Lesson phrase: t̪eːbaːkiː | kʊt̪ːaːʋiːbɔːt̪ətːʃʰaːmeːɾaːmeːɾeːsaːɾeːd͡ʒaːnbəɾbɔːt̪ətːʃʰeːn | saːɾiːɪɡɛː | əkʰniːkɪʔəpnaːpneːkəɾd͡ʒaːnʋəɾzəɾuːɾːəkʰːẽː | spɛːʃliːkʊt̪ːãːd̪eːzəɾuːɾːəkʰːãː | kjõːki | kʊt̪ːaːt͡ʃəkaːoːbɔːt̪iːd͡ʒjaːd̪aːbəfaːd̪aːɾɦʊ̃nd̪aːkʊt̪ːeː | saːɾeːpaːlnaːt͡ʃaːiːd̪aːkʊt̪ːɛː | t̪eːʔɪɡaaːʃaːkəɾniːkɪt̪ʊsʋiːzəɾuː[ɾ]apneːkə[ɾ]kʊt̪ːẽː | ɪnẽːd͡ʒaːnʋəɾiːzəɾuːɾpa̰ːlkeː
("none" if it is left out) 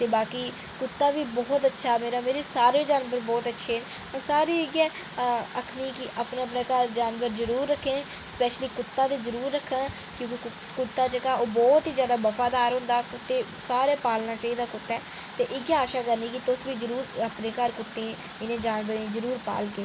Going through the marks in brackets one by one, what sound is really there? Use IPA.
ɾ, ɾ

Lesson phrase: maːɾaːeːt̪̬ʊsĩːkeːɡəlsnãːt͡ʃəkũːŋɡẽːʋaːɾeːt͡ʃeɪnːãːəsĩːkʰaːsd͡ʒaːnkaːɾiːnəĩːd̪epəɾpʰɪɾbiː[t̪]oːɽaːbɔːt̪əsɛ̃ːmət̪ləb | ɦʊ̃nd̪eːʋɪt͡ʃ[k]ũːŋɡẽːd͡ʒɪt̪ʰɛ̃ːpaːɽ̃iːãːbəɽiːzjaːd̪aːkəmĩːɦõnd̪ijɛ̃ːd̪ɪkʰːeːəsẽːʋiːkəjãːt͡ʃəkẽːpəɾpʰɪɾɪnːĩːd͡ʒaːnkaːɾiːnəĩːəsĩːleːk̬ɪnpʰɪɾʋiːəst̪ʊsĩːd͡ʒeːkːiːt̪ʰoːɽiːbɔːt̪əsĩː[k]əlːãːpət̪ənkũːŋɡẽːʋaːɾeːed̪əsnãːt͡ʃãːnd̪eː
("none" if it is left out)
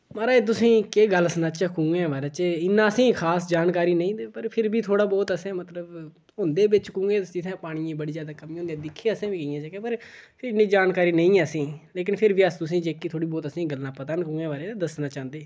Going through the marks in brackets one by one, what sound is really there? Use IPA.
t̪ʰ, k, ɡ

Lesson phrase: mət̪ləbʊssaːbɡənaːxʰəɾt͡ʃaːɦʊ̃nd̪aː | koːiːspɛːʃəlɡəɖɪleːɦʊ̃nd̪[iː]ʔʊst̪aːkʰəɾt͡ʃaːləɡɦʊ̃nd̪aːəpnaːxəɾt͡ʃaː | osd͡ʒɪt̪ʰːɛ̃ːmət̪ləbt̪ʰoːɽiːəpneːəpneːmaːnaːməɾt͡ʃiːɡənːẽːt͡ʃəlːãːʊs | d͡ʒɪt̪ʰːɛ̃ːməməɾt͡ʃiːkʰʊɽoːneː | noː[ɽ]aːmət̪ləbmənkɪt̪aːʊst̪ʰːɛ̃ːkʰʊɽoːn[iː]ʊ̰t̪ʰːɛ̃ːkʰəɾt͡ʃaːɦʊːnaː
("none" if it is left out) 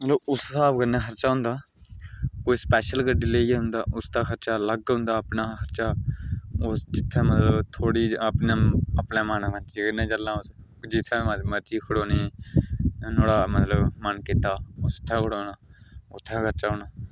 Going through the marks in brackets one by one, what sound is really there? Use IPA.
aː, ɽ, aː

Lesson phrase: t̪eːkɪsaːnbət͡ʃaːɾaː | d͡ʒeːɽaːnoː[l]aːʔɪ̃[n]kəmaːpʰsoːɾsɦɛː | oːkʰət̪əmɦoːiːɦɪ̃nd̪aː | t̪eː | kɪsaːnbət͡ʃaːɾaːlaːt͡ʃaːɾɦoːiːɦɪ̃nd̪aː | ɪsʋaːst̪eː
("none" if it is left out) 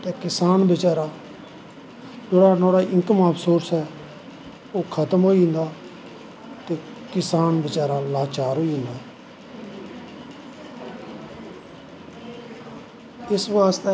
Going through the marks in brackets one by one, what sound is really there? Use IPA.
ɽ, ŋ

